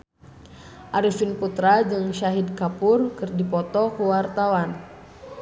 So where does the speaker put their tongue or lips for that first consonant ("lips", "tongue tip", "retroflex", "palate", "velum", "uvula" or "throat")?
throat